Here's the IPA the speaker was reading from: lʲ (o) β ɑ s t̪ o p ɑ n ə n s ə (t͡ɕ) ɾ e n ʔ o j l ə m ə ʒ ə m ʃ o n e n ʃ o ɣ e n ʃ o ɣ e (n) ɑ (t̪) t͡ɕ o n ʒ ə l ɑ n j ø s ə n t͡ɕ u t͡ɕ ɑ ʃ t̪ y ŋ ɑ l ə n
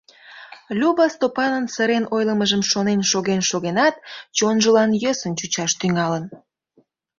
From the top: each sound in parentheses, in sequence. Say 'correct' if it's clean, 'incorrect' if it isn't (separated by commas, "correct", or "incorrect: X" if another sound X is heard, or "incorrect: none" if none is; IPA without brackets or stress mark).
incorrect: u, incorrect: none, correct, correct